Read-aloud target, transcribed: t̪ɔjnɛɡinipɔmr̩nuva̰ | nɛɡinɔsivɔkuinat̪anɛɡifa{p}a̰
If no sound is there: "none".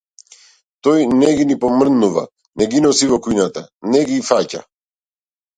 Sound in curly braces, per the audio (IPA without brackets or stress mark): c